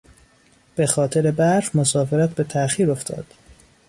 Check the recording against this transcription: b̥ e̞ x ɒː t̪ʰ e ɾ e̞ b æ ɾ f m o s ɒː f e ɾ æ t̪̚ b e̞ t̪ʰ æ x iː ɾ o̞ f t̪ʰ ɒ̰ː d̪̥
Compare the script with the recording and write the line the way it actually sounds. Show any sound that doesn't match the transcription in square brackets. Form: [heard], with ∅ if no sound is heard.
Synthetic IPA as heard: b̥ e̞ x ɒː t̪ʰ e ɾ e̞ b æ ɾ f m o s ɒː f e ɾ æ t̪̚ b e̞ t̪ʰ æ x iː ɾ o̞ f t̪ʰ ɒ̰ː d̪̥